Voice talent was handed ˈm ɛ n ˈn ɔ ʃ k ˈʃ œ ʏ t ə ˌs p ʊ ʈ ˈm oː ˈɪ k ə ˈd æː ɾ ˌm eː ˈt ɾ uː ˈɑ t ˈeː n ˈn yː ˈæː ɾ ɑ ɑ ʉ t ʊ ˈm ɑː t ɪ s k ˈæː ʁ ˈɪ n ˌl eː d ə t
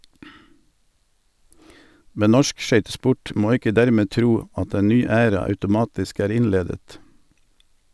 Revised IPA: ˈm ɛ n ˈn ɔ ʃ k ˈʃ œ ʏ t ə ˌs p ʊ ʈ ˈm oː ˈɪ k ə ˈd æ ɾ ˌm eː ˈt ɾ uː ˈɑ t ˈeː n ˈn yː ˈæː ɾ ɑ ɑ ʉ t ʊ ˈm ɑː t ɪ s k ˈæː ʁ ˈɪ n ˌl eː d ə t